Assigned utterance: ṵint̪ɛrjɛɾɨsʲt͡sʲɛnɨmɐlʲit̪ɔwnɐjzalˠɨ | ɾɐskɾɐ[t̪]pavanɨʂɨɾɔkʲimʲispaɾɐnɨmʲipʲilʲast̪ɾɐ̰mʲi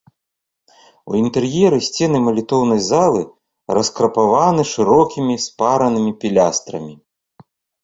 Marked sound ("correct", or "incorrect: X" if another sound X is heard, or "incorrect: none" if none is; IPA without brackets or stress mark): incorrect: none